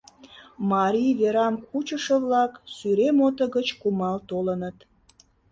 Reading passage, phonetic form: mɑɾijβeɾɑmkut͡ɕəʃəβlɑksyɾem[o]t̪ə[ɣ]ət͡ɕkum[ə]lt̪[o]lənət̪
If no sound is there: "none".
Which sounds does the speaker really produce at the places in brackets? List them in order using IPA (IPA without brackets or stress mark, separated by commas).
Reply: o, ɣ, ɑ, o